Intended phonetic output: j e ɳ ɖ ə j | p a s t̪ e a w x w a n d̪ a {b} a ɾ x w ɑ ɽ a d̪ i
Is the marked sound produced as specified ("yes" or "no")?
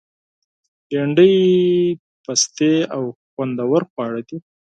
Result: no